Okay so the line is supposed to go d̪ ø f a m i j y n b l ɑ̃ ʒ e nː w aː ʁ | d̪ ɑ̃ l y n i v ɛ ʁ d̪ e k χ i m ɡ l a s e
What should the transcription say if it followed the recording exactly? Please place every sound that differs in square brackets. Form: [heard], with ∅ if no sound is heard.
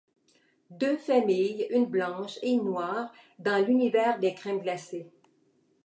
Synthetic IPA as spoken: d̪ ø f a m i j y n b l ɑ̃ [ʃ] e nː w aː ʁ | d̪ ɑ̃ l y n i v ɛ ʁ d̪ e k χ [ɛ] m ɡ l a s e